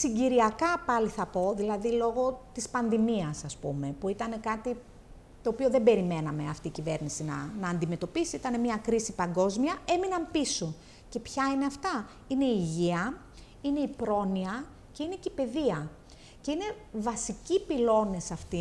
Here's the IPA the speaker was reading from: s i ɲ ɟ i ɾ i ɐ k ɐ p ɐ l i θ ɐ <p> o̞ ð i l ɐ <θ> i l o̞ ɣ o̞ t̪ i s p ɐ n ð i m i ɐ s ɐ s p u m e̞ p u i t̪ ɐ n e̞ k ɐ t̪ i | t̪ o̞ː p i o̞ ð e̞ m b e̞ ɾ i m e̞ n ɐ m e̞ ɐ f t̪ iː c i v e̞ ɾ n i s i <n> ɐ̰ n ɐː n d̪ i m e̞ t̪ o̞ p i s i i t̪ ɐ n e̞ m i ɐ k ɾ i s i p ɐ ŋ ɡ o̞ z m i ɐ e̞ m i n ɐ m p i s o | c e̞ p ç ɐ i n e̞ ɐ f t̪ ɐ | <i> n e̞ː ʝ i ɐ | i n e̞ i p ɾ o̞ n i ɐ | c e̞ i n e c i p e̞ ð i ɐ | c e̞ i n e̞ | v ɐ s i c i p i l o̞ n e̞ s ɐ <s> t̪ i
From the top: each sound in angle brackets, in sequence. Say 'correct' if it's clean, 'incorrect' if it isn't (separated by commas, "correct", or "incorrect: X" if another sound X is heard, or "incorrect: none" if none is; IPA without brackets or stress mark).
correct, incorrect: ð, correct, correct, incorrect: f